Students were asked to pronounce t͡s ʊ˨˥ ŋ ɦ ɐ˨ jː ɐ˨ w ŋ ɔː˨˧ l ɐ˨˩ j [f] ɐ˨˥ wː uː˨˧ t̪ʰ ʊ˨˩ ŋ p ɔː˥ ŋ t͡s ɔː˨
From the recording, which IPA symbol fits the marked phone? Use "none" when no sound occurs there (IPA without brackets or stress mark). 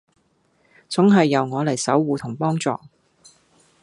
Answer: s